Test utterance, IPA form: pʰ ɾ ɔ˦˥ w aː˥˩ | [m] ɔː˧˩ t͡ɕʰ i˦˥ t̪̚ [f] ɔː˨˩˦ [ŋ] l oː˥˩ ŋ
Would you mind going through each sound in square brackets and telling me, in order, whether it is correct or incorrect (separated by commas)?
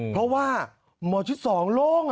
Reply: correct, incorrect, correct